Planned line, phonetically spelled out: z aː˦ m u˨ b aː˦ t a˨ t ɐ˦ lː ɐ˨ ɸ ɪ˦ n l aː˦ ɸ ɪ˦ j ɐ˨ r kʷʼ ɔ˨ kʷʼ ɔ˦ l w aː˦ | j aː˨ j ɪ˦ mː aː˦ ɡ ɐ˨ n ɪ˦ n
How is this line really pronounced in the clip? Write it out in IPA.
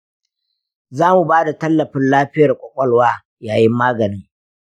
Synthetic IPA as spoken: z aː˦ m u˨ b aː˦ d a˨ t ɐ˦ lː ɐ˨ ɸ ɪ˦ n l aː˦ ɸ ɪ˦ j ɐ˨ r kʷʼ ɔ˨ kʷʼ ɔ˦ l w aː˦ | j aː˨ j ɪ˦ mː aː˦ ɡ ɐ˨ n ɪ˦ ŋ